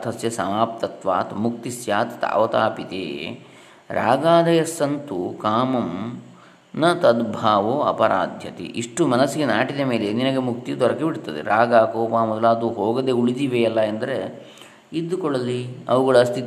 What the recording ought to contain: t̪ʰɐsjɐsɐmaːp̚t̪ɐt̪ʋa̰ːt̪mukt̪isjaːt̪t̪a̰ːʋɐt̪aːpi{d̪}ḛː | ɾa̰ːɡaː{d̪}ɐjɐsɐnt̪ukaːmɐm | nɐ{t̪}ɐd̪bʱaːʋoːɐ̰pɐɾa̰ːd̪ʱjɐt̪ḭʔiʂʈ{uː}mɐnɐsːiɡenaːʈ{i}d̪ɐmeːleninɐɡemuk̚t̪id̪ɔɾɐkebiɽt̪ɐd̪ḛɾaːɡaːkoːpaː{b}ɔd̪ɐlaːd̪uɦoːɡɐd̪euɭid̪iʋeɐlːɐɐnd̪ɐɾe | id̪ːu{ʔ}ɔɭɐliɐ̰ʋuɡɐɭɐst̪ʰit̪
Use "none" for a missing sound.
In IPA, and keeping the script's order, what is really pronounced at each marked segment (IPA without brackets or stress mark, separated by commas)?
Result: t̪, d̪, t̪, u, i, m, k